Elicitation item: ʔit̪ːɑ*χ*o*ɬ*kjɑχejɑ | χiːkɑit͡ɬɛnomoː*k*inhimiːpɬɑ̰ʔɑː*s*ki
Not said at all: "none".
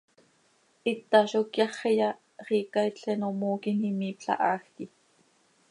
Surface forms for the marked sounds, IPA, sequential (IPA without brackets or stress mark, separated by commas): ʃ, none, k, x